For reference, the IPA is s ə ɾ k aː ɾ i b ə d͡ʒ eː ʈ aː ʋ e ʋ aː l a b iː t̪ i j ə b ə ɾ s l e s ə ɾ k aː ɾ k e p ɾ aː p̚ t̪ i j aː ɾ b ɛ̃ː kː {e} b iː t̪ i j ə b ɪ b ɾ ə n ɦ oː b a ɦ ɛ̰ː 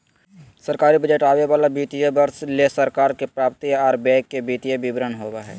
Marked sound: correct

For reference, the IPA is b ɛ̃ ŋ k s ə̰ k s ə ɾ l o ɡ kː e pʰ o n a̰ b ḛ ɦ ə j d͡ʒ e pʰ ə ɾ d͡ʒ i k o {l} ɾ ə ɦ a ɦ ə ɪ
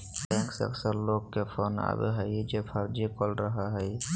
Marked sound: correct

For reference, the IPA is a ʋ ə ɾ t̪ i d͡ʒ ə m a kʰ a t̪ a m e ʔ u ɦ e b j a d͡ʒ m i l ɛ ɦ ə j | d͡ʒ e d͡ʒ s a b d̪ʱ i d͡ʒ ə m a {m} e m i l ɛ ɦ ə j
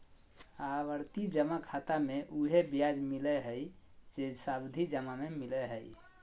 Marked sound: correct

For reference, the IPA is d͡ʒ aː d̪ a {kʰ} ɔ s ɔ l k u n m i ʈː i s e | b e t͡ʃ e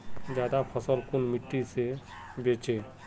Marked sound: incorrect: pʰ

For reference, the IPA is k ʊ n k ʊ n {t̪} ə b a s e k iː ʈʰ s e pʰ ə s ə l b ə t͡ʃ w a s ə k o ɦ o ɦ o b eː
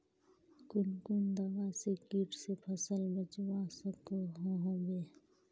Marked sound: incorrect: d̪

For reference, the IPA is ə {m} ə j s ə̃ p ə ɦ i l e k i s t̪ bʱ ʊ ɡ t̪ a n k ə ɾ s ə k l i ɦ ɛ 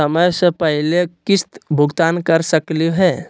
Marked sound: correct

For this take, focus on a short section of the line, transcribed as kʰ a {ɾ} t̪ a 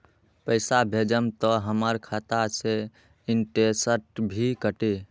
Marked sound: incorrect: none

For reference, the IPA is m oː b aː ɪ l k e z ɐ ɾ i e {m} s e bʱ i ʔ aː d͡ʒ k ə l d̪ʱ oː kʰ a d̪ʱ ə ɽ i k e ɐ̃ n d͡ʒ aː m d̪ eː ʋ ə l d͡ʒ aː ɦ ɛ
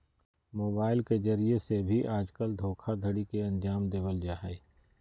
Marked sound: incorrect: none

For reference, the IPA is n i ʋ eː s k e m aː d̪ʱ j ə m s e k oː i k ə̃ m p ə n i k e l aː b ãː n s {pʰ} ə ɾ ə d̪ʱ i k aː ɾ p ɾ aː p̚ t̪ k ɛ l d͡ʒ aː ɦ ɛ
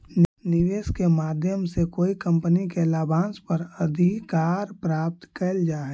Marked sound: incorrect: p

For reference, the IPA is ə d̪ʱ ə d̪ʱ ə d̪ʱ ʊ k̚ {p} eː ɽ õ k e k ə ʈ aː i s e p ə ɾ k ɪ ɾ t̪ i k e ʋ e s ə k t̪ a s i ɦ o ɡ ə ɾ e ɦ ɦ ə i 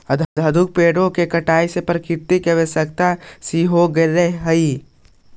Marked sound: correct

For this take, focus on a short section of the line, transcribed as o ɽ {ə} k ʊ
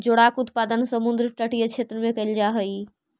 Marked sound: incorrect: a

